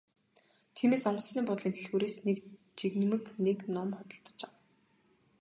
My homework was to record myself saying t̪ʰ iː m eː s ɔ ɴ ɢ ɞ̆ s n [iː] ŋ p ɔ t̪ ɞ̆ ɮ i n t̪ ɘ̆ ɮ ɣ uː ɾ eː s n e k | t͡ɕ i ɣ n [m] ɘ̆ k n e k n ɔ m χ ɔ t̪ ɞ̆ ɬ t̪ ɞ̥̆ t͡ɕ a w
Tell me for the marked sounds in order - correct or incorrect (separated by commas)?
correct, correct